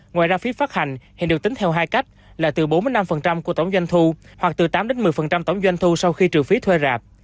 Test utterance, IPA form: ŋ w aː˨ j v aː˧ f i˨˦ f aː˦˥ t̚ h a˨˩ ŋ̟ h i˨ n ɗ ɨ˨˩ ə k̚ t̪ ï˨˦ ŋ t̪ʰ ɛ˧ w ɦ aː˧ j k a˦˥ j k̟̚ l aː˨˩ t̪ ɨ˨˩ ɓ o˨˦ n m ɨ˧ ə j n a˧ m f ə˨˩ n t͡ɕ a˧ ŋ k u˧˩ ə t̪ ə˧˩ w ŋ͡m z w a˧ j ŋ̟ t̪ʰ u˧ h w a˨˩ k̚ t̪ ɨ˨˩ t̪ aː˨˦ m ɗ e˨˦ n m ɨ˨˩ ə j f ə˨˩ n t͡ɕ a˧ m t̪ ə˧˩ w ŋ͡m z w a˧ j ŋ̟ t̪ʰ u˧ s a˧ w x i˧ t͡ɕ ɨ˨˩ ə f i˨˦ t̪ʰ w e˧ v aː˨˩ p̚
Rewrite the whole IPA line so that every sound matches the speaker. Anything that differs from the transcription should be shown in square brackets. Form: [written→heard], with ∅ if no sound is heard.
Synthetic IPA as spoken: ŋ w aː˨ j [v→z] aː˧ f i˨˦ f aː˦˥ t̚ h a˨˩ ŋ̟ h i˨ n ɗ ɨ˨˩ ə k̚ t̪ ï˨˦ ŋ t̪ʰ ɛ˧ w ɦ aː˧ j k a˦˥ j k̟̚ l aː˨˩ t̪ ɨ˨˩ ɓ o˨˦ n m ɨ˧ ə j n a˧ m f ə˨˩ n t͡ɕ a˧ [ŋ→m] k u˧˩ ə t̪ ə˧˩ w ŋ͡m z w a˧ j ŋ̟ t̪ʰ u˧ h w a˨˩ k̚ t̪ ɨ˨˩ t̪ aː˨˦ m ɗ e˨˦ n m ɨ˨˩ ə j f ə˨˩ n t͡ɕ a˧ m t̪ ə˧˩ w ŋ͡m z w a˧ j ŋ̟ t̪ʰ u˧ s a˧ w x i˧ t͡ɕ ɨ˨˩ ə f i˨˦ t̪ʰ w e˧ [v→z] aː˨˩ p̚